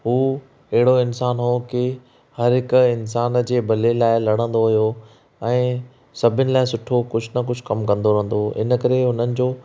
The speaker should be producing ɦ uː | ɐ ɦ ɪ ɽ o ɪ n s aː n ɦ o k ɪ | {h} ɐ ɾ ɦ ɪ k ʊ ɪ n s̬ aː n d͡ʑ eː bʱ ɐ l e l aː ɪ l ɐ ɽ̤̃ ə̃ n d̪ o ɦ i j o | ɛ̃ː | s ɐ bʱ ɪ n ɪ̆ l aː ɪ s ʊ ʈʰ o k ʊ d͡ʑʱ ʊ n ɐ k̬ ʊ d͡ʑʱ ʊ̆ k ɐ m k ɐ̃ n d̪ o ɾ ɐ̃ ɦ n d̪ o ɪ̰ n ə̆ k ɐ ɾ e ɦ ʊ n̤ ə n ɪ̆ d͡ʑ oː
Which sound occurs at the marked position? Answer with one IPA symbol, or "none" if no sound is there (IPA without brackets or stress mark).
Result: h